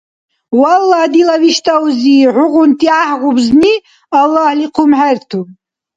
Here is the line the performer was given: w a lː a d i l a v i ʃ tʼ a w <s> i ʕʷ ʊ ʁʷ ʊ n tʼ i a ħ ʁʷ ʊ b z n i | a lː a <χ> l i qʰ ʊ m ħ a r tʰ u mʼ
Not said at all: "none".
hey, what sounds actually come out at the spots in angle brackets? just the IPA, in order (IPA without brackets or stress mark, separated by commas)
z, h